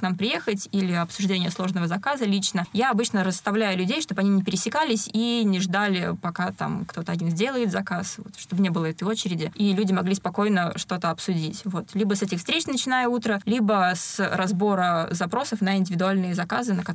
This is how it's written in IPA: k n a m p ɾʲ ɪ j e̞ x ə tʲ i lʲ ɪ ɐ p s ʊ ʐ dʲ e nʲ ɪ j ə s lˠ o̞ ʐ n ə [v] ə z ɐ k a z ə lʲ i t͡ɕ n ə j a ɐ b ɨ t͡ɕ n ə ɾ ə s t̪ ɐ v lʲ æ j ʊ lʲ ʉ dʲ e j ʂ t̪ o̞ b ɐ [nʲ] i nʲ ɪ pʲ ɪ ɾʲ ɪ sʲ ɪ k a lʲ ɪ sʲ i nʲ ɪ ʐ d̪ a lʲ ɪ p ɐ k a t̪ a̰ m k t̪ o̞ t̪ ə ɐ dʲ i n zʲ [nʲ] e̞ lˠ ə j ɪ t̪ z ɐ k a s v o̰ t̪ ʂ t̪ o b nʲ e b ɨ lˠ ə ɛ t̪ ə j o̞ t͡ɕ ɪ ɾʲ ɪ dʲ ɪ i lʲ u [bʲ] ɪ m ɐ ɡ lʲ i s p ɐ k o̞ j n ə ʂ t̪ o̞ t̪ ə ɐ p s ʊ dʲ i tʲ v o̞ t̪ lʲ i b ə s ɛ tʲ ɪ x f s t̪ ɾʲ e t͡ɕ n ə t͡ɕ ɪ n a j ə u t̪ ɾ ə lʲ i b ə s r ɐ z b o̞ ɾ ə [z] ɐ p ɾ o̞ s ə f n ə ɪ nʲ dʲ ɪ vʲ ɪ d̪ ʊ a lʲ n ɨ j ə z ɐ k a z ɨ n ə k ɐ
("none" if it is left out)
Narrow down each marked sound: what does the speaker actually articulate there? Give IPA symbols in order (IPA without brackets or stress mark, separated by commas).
v, nʲ, dʲ, dʲ, z